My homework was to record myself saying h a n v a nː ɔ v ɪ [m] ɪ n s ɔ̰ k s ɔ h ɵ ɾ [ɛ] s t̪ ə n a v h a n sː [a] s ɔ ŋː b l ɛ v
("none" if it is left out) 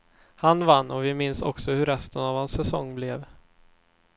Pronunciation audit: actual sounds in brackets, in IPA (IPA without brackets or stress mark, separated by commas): m, ɛ, ɛ